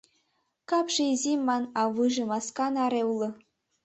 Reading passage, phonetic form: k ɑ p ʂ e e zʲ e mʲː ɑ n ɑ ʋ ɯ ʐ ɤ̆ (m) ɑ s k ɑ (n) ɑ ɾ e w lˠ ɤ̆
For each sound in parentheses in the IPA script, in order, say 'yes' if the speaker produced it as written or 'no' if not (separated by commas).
yes, yes